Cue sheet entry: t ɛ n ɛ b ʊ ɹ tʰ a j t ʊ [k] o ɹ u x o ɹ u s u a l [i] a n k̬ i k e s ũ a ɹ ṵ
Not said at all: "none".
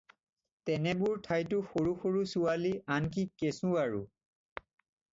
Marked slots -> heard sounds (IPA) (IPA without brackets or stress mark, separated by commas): x, i